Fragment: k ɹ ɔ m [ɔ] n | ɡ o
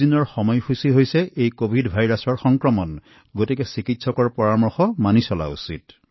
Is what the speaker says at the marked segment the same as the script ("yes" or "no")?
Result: yes